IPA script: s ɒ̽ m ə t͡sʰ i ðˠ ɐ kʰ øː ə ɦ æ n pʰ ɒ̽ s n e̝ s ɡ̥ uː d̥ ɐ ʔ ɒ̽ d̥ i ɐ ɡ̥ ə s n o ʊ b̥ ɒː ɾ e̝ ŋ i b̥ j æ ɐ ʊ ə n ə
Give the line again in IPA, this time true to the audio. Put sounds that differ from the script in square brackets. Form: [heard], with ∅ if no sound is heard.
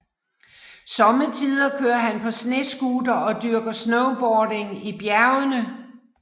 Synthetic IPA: s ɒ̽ m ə t͡sʰ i ðˠ ɐ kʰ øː [ɐ] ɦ æ n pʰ ɒ̽ s n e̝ s ɡ̥ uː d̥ ɐ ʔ ɒ̽ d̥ [y] ɐ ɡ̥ [ɐ] s n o ʊ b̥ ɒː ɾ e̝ ŋ i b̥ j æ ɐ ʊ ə n ə